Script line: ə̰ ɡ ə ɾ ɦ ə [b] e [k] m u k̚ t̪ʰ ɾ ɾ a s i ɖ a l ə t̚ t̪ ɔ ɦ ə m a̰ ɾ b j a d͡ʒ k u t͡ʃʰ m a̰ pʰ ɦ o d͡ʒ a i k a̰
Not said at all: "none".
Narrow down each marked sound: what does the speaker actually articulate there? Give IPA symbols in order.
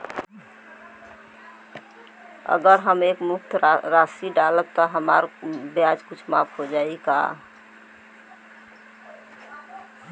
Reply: m, k

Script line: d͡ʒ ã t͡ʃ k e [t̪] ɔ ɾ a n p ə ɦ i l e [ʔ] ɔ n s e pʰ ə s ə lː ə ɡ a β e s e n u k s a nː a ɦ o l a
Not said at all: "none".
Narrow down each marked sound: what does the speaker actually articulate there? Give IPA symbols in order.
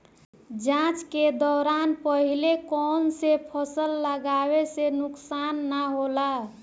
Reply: d̪, k

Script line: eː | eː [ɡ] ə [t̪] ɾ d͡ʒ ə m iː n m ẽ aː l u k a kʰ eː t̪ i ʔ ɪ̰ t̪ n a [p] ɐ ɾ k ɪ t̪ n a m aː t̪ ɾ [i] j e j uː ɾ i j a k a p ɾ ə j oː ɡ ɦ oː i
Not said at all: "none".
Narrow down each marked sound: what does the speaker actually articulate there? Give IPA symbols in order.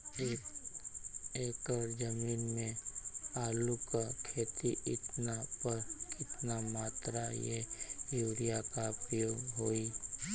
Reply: k, none, p, a

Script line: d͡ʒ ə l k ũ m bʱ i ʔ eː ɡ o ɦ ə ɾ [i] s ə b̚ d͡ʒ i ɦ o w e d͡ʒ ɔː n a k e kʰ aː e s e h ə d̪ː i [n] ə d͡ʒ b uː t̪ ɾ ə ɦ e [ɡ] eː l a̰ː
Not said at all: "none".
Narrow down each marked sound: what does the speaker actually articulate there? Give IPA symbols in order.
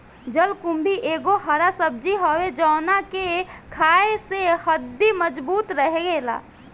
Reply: a, m, ɡ

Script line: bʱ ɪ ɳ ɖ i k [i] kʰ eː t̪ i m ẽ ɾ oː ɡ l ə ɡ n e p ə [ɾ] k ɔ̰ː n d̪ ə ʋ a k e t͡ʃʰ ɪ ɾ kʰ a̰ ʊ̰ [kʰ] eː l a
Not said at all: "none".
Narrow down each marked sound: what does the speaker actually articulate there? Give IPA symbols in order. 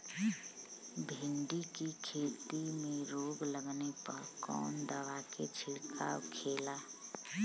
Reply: i, ɾ, kʰ

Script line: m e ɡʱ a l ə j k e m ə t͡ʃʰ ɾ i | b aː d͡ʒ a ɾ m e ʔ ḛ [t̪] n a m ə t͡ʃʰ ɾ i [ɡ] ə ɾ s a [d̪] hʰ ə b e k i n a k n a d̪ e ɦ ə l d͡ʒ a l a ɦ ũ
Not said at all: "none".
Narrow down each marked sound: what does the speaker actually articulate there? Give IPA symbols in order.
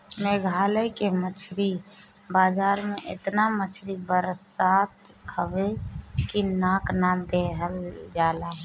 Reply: t̪, b, t̪

